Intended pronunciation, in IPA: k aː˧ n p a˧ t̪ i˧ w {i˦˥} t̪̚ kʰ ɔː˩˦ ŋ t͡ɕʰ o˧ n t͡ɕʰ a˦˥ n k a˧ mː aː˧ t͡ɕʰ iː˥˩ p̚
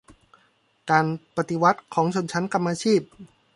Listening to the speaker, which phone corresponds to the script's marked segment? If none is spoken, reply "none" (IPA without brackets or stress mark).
a˦˥